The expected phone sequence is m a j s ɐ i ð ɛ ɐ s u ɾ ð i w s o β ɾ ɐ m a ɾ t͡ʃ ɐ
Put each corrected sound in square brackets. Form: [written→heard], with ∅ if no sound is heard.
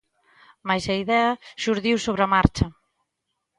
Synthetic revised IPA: m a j s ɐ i ð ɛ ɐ [s→ʃ] u ɾ ð i w s o β ɾ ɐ m a ɾ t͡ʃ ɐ